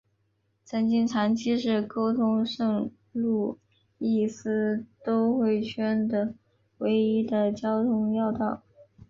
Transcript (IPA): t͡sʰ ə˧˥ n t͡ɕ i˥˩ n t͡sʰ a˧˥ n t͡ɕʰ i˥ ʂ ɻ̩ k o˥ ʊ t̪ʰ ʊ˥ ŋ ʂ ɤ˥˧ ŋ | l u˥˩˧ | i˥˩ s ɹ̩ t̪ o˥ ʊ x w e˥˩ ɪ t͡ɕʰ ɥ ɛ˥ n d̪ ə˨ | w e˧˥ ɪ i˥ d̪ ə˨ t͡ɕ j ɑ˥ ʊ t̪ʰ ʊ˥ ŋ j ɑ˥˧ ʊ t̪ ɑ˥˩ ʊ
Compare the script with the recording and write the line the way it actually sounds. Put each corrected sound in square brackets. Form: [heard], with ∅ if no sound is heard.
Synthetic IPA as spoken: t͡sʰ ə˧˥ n t͡ɕ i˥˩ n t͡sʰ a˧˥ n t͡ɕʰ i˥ ʂ ɻ̩ k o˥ ʊ t̪ʰ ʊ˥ ŋ ʂ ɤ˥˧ ŋ | l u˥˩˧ | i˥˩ s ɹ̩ t̪ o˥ ʊ x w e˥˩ ɪ t͡ɕʰ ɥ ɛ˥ n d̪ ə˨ | w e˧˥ ɪ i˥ d̪ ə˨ t͡ɕ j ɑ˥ ʊ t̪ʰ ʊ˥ ŋ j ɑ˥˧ ʊ t̪ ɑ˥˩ ʊ